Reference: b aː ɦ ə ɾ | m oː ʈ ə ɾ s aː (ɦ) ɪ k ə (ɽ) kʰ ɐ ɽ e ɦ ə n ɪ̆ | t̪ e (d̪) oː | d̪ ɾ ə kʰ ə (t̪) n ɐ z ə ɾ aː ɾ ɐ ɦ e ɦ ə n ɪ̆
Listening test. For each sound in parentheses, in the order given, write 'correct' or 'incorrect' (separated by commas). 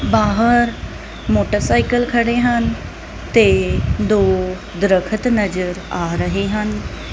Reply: incorrect, incorrect, correct, correct